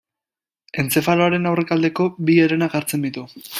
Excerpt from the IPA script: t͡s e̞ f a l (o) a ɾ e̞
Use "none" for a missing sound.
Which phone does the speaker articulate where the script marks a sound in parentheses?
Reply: o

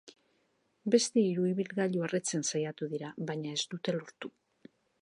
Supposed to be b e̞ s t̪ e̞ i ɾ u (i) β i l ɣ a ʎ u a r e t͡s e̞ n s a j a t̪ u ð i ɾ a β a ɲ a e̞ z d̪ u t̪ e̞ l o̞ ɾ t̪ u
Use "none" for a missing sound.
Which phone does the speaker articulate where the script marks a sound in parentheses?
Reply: i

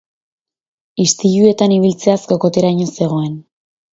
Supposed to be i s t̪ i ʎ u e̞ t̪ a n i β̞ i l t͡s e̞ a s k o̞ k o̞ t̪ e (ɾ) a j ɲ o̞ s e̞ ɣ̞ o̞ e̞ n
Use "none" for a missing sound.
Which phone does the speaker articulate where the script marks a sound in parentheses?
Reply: ɾ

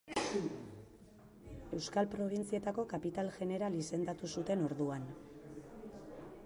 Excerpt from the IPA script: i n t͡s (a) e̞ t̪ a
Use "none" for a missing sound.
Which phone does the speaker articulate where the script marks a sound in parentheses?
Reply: i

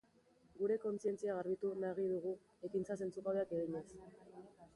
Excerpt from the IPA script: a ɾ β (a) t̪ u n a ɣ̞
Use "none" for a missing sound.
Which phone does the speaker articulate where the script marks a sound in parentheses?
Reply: i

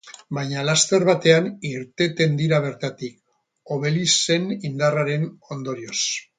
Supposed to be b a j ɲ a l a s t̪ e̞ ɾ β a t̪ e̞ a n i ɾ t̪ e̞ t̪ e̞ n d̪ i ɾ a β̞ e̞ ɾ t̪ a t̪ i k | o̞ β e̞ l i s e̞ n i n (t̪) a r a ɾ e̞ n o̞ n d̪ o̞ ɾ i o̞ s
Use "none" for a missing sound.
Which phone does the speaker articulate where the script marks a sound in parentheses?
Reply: d̪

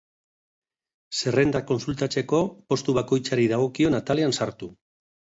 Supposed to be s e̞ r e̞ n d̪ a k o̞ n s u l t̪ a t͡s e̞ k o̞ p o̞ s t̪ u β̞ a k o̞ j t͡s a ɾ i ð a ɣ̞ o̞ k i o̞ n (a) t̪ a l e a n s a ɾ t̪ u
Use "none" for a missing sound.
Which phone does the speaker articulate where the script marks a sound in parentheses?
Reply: a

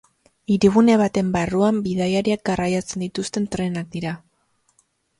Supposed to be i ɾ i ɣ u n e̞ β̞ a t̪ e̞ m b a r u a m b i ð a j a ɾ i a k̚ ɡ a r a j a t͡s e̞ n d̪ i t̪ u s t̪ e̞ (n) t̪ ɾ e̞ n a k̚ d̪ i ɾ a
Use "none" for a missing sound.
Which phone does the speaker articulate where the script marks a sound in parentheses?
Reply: n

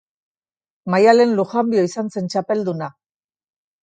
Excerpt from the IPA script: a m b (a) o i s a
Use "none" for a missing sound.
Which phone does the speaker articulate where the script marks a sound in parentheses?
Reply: i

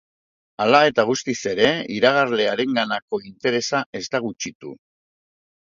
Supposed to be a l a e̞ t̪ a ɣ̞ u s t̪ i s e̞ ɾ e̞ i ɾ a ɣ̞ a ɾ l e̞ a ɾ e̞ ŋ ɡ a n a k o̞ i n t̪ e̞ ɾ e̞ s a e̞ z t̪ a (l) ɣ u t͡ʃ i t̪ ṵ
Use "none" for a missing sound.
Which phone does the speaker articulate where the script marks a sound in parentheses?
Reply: none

